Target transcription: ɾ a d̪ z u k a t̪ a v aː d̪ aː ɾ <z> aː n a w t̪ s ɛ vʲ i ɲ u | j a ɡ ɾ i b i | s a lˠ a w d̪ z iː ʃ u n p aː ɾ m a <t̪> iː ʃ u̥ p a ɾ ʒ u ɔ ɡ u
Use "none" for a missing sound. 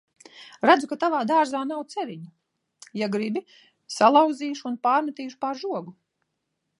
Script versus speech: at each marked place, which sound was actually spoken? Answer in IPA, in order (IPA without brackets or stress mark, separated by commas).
z, t̪